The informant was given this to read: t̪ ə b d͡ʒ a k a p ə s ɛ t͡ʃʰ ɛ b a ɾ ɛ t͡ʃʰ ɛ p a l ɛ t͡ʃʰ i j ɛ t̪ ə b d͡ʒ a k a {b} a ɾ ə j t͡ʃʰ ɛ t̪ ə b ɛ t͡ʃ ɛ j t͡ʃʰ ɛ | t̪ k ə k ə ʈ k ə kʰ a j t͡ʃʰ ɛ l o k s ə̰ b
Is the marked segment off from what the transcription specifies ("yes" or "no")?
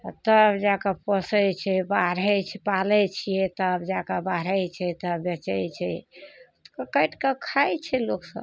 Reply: no